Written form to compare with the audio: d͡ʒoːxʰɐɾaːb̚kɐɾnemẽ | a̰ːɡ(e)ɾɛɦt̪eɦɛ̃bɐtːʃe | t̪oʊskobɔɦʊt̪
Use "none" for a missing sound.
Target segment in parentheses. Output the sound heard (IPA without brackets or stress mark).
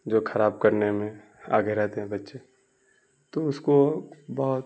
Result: e